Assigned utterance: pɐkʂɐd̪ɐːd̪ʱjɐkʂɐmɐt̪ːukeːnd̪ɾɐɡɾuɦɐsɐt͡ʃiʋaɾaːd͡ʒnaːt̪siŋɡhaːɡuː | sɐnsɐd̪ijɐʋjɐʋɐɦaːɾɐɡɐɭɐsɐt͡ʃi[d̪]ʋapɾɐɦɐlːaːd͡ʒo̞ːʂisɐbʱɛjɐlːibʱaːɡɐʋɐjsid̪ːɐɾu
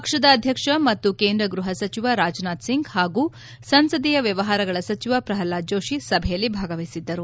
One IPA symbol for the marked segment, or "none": none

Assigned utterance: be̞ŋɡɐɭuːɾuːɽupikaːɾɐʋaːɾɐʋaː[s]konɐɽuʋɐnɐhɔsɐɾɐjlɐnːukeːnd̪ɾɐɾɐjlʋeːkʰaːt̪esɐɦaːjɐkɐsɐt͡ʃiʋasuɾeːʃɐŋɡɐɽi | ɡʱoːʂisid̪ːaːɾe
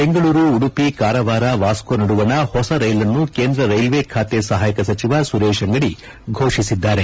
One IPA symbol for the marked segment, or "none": s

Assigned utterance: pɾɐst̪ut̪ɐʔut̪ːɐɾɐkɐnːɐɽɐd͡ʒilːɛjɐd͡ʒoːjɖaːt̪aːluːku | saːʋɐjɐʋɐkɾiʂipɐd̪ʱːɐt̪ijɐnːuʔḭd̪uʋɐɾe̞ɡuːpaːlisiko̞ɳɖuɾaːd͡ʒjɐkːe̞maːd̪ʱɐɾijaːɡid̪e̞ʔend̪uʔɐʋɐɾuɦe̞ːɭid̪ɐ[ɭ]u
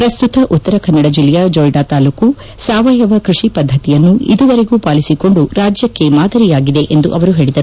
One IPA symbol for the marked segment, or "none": ɾ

